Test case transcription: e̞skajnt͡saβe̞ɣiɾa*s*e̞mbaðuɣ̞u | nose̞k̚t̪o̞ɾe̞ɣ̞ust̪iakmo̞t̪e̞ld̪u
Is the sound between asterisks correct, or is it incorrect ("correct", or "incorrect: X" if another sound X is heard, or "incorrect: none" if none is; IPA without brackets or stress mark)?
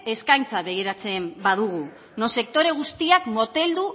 incorrect: t͡s